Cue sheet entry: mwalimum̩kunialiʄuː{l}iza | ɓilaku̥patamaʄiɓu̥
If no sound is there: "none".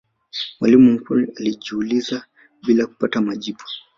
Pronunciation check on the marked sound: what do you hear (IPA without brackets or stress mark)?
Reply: l